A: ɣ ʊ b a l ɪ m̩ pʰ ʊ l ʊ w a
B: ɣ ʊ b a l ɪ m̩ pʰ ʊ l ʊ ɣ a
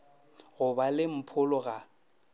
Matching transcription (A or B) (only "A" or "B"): B